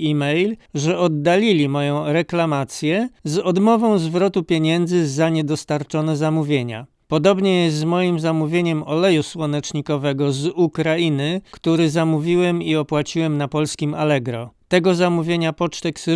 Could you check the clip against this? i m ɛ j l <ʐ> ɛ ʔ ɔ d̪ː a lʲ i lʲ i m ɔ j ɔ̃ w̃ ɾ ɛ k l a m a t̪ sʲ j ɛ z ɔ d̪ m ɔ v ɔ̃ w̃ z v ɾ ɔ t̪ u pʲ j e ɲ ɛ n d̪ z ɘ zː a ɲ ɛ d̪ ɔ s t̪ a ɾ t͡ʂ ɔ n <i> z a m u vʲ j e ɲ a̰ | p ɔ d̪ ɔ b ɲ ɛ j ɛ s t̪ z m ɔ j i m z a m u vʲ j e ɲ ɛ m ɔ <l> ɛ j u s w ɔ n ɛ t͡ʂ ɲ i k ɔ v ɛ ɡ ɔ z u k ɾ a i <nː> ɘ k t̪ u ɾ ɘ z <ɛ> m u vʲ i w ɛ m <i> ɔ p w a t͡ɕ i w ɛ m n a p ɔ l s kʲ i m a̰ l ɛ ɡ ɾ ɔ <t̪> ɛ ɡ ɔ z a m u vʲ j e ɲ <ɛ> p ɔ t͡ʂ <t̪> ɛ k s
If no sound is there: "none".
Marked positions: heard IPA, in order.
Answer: ʐ, ɛ, l, n, a, i, t̪, a, t̪

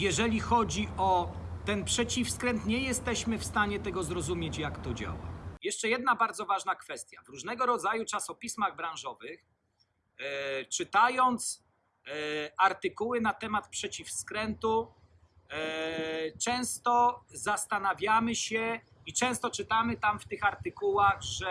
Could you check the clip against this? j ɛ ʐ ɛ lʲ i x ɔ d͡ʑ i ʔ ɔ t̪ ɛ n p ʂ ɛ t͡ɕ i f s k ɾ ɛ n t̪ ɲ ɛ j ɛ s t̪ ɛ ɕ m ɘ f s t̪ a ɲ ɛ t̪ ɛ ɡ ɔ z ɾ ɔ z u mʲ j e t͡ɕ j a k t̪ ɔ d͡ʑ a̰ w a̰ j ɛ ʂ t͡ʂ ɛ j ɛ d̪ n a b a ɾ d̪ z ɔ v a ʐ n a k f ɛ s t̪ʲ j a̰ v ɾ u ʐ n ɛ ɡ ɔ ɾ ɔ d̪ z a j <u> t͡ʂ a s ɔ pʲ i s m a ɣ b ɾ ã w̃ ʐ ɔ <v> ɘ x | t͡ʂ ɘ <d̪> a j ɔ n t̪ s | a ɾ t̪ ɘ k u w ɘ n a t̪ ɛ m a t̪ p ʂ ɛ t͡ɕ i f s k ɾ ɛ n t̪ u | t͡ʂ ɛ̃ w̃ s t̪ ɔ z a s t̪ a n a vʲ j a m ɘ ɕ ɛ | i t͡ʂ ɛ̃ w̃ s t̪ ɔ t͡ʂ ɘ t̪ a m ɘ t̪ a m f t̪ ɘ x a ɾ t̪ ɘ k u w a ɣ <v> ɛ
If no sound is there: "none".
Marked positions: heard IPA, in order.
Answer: u, v, t̪, ʐ

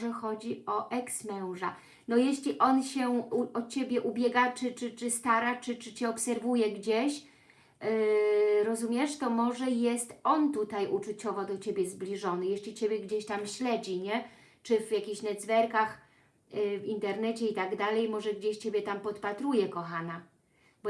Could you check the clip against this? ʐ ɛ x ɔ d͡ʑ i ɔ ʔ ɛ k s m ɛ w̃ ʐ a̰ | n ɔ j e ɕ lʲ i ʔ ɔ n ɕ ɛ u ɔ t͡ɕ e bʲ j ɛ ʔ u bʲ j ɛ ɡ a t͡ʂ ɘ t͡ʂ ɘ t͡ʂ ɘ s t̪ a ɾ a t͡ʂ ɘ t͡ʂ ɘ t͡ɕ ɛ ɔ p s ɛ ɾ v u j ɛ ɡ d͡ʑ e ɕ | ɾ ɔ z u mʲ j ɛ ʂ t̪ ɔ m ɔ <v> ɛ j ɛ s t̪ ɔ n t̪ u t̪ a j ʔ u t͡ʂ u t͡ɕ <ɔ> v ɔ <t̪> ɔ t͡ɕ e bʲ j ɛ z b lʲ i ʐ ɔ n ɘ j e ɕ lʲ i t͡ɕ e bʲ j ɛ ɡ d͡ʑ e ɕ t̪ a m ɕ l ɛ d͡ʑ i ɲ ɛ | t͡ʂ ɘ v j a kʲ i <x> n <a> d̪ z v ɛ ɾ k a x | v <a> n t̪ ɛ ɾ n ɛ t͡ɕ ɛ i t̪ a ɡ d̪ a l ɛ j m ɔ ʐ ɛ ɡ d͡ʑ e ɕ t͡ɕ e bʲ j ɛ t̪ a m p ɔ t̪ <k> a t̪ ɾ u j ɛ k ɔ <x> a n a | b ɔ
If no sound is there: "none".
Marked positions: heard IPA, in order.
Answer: ʐ, ɔ, d̪, ɕ, ɛ, i, p, x

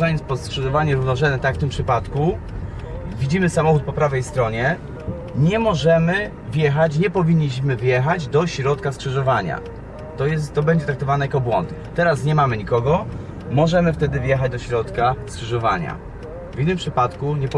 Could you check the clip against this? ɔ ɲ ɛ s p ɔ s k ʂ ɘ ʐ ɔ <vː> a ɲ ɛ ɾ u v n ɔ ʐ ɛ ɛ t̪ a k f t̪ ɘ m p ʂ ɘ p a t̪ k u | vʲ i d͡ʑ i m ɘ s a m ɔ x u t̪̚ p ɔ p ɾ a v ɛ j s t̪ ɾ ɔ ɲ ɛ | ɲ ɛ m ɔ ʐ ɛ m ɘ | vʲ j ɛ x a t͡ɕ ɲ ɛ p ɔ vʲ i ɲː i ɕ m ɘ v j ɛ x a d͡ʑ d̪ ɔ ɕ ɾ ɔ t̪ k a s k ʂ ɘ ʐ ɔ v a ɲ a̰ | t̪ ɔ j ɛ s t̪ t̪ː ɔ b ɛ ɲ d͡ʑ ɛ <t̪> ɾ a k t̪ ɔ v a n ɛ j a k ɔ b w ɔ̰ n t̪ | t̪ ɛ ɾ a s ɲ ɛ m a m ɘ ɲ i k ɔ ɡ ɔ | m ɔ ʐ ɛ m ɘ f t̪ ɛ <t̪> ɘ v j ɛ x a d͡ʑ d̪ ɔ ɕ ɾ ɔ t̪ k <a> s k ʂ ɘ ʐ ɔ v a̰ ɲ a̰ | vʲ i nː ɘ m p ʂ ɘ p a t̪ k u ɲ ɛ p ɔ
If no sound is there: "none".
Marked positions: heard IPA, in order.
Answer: v, t̪, d̪, a

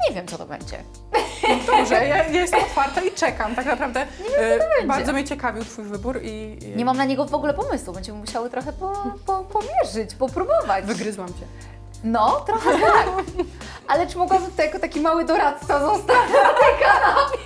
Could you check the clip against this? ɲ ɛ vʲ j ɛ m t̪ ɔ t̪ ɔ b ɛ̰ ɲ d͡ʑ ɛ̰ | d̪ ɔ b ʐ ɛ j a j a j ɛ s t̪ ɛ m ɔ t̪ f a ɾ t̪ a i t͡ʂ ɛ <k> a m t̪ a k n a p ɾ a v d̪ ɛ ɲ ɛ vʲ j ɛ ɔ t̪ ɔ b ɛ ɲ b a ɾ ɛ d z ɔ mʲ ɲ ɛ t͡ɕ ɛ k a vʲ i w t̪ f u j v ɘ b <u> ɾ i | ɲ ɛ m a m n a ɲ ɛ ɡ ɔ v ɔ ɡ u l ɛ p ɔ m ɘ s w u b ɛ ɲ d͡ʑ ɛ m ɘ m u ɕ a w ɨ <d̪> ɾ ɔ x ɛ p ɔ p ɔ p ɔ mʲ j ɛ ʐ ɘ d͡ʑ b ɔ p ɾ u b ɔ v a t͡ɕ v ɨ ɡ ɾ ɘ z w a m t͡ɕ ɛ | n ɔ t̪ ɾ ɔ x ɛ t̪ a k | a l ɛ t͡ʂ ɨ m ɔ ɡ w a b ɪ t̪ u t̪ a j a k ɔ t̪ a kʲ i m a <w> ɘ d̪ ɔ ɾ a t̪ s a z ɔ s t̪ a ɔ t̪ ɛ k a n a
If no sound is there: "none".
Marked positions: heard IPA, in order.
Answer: k, u, t̪, w

